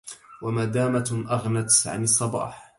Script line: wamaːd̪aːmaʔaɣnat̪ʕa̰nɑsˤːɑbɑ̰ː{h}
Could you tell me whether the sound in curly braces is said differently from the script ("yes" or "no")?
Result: yes